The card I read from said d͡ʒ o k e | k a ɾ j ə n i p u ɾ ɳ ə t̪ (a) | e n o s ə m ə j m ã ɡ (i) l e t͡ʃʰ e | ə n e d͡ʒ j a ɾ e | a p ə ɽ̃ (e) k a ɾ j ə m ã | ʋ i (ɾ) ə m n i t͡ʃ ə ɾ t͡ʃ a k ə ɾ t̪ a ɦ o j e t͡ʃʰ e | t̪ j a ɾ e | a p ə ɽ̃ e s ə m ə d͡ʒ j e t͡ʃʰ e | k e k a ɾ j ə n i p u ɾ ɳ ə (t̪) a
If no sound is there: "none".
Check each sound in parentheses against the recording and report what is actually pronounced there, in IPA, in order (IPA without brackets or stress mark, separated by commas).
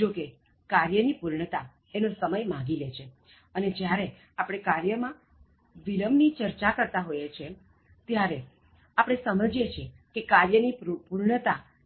a, i, e, l, t̪